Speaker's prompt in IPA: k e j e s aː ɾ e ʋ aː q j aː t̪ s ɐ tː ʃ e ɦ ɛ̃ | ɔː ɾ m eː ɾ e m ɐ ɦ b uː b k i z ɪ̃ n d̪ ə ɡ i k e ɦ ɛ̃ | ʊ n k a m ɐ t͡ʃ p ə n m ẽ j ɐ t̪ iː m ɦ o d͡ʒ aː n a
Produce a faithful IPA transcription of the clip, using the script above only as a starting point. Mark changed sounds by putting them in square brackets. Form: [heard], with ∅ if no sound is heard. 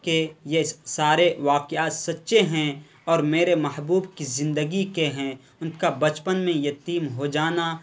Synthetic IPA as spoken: k e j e s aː ɾ e ʋ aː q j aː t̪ s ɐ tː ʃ e ɦ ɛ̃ | ɔː ɾ m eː ɾ e m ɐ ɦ b uː b k i z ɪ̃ n d̪ ə ɡ i k e ɦ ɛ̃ | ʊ n k a [b] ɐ t͡ʃ p ə n m ẽ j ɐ t̪ iː m ɦ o d͡ʒ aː n a